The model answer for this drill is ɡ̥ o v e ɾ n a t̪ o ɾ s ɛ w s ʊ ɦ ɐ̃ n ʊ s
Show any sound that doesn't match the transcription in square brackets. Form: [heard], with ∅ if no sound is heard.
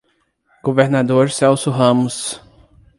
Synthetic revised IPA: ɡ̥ o v e ɾ n a [d̪] o ɾ s ɛ w s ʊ ɦ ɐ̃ [m] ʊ s

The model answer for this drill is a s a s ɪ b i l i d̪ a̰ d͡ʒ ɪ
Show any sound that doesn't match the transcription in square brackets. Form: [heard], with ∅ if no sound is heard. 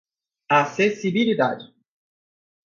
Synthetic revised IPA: a s [e] s [i] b i l i d̪ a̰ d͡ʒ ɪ

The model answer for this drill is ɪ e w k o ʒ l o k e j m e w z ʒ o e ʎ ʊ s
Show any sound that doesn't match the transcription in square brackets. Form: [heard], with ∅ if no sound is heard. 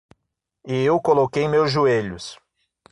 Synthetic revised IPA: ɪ e w k o [∅] l o k e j m e w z ʒ [u] e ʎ ʊ s

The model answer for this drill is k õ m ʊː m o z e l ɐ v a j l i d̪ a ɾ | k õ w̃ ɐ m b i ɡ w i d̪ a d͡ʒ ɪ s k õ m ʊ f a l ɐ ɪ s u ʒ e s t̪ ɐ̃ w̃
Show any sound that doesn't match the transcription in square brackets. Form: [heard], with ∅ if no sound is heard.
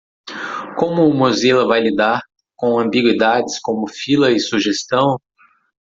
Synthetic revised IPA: k õ m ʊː m o z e l ɐ v a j l i d̪ a ɾ | k õ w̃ [ɐ̃] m b i ɡ w i d̪ a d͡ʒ ɪ s k õ m ʊ f [i] l ɐ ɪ s u ʒ e s t̪ ɐ̃ w̃

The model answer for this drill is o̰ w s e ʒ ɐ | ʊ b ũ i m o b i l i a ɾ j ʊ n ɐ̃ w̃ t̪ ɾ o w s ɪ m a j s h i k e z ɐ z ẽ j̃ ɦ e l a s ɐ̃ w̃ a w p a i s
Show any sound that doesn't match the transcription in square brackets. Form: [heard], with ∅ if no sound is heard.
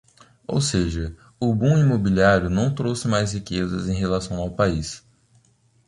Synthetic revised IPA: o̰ w s e ʒ ɐ | ʊ b ũ i m o b i l i a ɾ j ʊ n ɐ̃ w̃ t̪ ɾ o w s ɪ m a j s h i k e z ɐ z ẽ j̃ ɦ e l a s ɐ̃ w̃ a w p a i s

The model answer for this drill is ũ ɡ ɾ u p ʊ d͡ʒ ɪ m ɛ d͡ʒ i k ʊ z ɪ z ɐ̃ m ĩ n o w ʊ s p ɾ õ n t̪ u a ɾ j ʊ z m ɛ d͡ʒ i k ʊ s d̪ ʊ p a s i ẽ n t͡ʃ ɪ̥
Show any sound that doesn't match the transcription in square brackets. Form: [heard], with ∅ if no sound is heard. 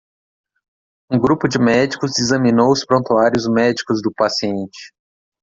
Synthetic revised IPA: ũ ɡ ɾ u p ʊ d͡ʒ ɪ m ɛ d͡ʒ i k ʊ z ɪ z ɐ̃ m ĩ n o w ʊ s p ɾ õ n t̪ u a ɾ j ʊ z m ɛ d͡ʒ i k ʊ [z] d̪ ʊ p a s i ẽ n t͡ʃ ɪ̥

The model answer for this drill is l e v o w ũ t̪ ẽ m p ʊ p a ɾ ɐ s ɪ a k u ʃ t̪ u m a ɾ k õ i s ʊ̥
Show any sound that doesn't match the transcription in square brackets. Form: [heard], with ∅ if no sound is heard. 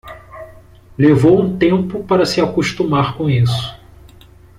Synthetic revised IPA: l e v o w ũ t̪ ẽ m p ʊ p a ɾ ɐ s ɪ a k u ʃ t̪ u m a ɾ k õ i s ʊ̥

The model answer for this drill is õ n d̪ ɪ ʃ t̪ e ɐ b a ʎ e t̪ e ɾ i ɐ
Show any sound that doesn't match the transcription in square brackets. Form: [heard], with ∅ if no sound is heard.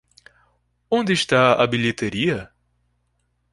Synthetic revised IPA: õ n d̪ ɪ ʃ t̪ [a] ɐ b [i] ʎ e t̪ e ɾ i ɐ

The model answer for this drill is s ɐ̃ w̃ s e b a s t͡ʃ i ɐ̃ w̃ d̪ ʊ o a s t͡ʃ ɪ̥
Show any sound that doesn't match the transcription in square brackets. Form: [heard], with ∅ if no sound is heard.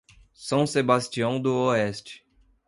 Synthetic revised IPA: s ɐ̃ w̃ s e b a s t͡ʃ i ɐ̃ w̃ d̪ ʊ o [ɛ] s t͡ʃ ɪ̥

